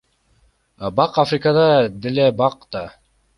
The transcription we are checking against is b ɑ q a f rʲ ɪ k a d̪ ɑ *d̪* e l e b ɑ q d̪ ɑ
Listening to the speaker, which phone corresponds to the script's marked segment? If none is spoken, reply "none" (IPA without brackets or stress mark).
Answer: d̪